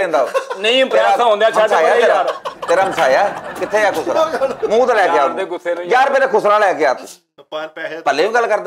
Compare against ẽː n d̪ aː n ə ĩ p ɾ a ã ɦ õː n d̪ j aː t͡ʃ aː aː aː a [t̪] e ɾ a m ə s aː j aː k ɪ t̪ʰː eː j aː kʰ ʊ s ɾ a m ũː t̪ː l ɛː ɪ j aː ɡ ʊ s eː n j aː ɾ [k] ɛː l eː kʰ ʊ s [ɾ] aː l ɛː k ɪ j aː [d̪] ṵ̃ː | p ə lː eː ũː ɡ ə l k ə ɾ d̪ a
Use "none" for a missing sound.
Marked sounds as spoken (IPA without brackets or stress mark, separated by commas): t̪, p, ɾ, t̪